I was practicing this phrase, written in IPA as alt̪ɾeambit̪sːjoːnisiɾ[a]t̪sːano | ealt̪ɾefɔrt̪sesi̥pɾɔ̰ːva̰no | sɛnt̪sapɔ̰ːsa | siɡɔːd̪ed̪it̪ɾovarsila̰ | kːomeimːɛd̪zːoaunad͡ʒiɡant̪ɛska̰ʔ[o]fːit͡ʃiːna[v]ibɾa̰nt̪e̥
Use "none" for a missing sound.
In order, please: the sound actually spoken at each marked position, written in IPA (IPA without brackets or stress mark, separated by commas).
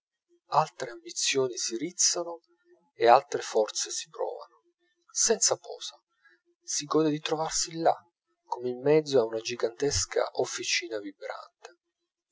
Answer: i, o, v